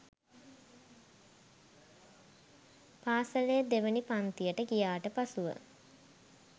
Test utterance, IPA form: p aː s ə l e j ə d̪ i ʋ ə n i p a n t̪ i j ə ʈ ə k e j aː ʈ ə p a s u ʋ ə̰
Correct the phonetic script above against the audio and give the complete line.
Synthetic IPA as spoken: p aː s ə l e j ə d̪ e ʋ ə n i p a n t̪ i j ə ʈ ə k i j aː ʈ ə p a s u ʋ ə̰